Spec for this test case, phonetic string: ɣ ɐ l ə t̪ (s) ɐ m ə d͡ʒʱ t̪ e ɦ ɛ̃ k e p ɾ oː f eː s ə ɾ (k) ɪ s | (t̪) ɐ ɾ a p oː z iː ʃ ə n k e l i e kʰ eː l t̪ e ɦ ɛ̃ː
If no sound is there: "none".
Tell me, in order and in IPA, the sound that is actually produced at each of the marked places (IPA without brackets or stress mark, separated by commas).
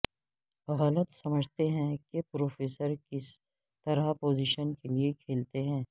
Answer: s, k, t̪